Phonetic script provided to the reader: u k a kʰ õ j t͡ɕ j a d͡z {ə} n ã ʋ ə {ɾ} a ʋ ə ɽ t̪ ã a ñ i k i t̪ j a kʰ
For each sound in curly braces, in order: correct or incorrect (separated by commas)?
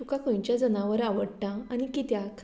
correct, correct